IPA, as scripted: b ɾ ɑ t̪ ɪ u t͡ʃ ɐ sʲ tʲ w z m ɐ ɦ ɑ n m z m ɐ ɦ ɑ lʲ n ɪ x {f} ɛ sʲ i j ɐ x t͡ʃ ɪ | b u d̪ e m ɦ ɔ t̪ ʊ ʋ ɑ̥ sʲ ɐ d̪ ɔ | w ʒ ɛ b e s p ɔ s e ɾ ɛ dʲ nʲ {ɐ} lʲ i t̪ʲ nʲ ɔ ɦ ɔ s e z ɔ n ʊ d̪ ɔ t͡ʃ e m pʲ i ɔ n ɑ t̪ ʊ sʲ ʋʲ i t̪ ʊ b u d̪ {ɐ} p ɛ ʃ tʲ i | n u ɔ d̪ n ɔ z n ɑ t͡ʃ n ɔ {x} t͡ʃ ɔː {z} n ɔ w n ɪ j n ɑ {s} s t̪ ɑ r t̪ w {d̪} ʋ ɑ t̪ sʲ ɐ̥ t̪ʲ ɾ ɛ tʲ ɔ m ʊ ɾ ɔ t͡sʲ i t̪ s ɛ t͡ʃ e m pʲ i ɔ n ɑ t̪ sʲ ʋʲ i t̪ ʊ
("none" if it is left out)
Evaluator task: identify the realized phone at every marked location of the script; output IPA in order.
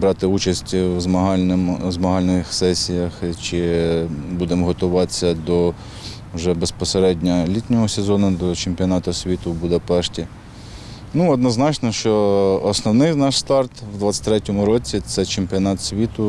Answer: s, ɐ, ɐ, ʃ, s, ʃ, d̪

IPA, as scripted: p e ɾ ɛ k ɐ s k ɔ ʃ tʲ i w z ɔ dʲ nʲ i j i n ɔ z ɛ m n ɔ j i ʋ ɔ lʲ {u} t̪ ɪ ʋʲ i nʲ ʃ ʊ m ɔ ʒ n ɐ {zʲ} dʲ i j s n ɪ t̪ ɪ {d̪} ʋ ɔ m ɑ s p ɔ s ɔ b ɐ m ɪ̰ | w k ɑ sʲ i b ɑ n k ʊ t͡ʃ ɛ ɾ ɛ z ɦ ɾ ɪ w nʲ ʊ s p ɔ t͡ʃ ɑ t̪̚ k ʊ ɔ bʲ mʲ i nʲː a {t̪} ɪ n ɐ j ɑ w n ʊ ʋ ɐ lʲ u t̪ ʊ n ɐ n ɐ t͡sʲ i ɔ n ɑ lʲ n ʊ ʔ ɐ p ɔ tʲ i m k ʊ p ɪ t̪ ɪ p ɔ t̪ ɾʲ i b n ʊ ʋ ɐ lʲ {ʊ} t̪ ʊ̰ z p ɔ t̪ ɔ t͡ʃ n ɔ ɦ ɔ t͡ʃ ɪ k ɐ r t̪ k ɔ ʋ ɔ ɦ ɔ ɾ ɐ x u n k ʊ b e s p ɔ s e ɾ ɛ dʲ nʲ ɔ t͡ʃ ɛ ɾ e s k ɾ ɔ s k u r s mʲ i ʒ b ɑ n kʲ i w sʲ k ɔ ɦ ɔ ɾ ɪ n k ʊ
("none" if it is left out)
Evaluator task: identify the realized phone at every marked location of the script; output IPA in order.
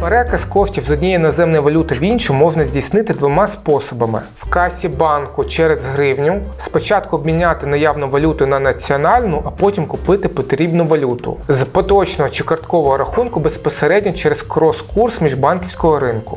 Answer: u, zʲ, d̪, t̪, u

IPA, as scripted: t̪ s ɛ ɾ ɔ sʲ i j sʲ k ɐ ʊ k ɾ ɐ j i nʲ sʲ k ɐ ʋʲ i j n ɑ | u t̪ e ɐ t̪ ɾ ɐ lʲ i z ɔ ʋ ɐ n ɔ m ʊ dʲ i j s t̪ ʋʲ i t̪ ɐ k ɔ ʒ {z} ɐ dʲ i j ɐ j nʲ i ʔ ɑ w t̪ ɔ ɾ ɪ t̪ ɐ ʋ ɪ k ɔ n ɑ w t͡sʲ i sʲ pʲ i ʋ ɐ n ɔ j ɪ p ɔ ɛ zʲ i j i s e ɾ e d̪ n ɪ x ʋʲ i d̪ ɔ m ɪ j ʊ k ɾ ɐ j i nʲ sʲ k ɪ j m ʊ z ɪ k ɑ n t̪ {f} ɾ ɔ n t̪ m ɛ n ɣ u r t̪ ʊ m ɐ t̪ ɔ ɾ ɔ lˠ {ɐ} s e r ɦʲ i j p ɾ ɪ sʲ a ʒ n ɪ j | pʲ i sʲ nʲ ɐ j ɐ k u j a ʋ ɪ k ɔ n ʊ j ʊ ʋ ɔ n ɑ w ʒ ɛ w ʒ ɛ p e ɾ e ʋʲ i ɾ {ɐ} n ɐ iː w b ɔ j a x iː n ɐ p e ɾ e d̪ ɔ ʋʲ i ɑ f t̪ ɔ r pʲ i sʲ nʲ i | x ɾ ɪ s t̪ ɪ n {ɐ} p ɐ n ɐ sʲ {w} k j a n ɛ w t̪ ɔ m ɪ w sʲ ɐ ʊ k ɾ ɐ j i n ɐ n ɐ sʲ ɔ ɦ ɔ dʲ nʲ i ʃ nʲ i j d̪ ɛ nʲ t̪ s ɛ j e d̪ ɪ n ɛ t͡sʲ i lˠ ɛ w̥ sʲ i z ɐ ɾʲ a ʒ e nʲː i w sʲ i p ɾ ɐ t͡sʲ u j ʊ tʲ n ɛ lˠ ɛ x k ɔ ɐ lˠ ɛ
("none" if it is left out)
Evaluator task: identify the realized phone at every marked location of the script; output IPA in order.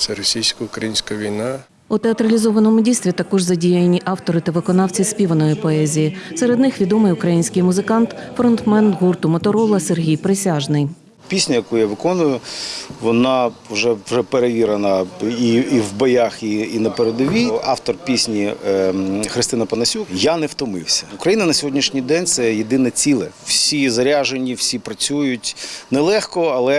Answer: z, f, ɐ, ɐ, ɐ, u

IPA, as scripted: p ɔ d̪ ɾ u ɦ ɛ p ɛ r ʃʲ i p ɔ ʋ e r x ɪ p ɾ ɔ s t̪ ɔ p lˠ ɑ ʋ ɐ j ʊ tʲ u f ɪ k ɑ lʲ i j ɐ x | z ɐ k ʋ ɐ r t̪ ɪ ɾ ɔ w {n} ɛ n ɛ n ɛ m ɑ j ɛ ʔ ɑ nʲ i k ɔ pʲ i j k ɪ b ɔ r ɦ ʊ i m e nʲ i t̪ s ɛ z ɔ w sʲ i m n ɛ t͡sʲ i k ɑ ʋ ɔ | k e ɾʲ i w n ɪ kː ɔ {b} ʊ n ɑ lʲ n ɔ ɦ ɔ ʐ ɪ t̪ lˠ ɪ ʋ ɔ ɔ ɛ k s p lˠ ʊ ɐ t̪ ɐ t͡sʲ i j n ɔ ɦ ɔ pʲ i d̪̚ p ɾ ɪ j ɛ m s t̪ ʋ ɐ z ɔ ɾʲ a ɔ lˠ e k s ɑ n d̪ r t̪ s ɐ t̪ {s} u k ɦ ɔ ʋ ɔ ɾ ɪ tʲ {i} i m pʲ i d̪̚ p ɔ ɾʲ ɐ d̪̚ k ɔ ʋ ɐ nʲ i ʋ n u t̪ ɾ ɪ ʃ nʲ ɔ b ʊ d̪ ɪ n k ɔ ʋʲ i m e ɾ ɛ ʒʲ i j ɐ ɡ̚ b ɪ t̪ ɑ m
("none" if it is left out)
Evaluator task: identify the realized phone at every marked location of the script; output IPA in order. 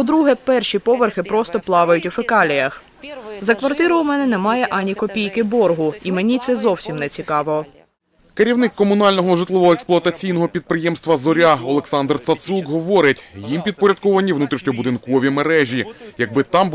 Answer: m, m, s, j

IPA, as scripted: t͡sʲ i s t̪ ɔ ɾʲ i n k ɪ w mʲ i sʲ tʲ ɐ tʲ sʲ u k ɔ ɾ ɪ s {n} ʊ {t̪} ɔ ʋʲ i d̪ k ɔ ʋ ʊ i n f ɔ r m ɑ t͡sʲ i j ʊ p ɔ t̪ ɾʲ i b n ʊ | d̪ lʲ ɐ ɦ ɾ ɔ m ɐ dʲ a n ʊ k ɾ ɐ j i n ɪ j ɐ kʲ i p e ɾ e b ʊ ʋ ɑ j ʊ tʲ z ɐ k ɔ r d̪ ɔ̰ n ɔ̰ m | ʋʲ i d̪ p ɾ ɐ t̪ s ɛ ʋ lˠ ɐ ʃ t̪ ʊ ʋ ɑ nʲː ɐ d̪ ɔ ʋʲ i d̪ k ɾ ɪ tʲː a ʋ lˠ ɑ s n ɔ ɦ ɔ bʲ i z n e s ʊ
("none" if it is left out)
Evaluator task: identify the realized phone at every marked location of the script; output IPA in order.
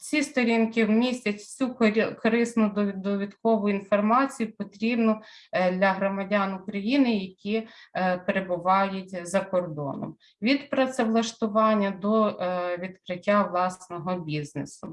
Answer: n, d̪

